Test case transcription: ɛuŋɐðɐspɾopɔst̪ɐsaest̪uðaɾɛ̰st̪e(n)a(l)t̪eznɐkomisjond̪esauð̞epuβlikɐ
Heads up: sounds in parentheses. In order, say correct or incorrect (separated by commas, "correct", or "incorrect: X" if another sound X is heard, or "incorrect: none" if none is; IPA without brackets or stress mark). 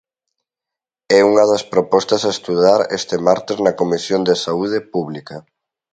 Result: incorrect: m, incorrect: ɾ